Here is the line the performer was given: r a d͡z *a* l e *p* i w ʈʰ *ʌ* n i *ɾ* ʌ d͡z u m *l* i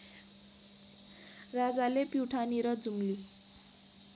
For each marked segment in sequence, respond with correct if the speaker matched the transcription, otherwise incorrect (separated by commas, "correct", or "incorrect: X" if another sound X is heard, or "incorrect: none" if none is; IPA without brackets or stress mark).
correct, correct, incorrect: a, correct, correct